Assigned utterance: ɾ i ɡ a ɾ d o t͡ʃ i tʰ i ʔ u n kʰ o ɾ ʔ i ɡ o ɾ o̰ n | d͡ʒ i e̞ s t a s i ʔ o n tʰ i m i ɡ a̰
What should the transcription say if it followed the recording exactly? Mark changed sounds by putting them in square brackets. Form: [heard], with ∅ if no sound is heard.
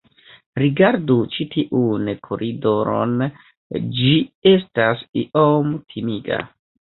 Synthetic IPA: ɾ i ɡ a ɾ d [u] t͡ʃ i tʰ i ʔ u n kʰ o ɾ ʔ i [d] o ɾ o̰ n | d͡ʒ i e̞ s t a s i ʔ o [m] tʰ i m i ɡ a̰